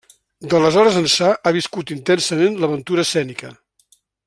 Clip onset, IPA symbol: d̪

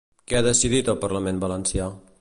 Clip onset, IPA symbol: k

